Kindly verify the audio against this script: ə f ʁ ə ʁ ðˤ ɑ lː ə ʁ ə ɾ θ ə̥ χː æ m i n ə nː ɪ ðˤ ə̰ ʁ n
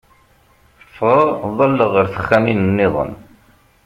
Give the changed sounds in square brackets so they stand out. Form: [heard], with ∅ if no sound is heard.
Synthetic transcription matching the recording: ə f ʁ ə ʁ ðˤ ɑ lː ə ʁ ə ɾ θ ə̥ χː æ m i n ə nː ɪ ðˤ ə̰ [∅] n